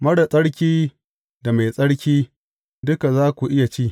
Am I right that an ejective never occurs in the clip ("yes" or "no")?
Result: no